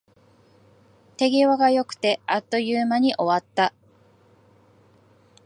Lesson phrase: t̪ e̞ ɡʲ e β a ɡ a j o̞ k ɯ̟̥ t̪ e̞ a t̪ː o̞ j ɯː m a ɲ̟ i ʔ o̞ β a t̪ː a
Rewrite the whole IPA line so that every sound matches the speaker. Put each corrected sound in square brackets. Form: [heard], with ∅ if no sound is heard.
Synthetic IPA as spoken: t̪ e̞ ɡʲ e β a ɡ a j o̞ k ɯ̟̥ t̪ e̞ a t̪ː o̞ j ɯː m a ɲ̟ i ʔ o̞ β a t̪ː a